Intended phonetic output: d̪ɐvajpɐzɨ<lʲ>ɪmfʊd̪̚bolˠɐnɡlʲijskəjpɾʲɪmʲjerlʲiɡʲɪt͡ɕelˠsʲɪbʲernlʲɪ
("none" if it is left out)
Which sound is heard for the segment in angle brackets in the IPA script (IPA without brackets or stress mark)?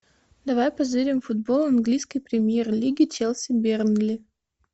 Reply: ɾʲ